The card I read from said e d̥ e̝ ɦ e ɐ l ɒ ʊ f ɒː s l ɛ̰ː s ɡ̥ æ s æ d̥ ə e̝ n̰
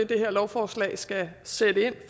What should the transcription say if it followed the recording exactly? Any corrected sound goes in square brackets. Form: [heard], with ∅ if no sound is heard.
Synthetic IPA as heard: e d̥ e̝ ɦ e ɐ l ɒ ʊ f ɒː s l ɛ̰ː s ɡ̥ æ s [e] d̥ ə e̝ n̰